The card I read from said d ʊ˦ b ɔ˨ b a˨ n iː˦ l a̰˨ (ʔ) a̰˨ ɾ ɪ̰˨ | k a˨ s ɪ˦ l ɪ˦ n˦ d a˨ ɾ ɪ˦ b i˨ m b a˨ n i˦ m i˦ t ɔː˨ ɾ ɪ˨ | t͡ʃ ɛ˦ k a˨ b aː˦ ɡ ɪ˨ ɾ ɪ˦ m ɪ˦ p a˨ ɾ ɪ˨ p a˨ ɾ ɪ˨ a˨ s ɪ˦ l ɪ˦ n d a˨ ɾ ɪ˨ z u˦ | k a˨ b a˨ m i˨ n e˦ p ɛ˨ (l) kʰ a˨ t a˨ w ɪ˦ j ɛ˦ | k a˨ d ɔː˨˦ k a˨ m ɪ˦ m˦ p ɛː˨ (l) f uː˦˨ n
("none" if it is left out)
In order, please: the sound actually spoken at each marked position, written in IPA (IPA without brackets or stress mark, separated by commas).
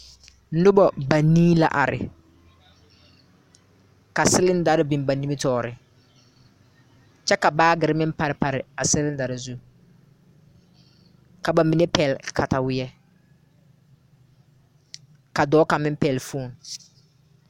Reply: ʔ, l, l